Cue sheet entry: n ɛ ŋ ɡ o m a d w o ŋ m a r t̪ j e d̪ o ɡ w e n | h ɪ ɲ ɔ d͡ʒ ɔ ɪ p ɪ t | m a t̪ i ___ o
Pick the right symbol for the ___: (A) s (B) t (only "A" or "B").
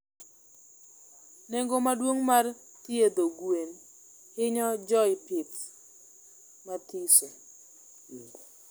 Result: A